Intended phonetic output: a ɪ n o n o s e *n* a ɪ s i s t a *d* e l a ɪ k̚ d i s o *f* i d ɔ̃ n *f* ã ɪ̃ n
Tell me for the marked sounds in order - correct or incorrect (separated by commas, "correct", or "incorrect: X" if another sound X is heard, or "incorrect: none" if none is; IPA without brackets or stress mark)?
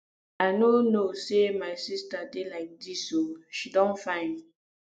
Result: incorrect: m, correct, incorrect: ʃ, correct